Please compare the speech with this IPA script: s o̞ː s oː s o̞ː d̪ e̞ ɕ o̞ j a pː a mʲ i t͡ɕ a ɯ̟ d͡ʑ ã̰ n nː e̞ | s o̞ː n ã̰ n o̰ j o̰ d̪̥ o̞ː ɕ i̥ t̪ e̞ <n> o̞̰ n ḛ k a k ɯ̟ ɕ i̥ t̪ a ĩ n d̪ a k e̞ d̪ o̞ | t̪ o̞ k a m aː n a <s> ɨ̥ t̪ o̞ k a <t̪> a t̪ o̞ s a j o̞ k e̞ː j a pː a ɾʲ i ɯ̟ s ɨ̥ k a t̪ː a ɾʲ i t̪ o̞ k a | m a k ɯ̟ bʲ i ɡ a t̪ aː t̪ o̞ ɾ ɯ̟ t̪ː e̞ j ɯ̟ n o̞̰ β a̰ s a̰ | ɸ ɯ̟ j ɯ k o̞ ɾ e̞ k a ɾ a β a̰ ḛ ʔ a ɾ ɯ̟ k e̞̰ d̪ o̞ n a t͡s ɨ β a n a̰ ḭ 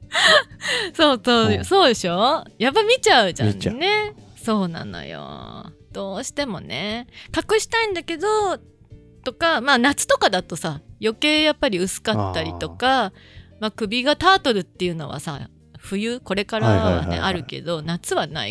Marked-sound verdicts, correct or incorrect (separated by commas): incorrect, incorrect, incorrect